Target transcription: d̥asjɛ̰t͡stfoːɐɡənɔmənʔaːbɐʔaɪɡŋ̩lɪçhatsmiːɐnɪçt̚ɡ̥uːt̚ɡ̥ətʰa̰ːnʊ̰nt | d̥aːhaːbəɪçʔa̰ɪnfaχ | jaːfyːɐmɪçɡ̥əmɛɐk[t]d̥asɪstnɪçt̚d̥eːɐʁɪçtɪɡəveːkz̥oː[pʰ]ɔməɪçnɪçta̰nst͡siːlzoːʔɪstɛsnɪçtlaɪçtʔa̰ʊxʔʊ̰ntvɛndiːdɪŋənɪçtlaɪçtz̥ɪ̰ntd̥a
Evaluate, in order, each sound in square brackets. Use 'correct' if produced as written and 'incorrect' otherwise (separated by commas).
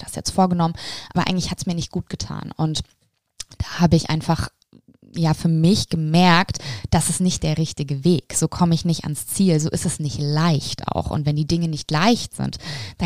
correct, incorrect